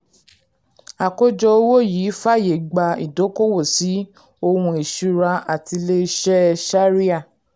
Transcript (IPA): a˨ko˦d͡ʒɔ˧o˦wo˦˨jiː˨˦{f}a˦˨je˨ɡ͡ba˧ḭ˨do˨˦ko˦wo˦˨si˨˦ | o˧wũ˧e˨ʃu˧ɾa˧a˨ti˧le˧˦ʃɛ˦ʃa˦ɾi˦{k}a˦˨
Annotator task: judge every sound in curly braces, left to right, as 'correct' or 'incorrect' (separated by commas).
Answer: correct, incorrect